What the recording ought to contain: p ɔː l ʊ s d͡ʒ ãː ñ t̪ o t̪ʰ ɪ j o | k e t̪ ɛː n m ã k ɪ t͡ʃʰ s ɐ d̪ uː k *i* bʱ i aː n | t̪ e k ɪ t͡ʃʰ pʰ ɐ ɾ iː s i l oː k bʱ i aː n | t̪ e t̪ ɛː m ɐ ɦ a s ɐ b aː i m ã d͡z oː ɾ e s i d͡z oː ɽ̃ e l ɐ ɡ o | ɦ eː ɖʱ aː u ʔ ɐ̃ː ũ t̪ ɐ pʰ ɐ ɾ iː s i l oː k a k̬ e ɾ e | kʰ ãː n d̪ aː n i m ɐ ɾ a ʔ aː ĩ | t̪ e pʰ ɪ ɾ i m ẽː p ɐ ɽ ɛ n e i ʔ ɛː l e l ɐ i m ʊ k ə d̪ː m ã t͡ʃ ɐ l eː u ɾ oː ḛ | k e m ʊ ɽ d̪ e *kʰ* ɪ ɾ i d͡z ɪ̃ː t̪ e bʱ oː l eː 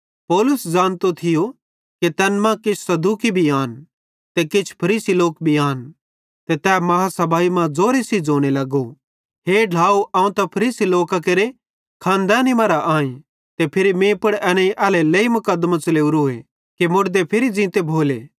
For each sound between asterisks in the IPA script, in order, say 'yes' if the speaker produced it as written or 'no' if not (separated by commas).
yes, no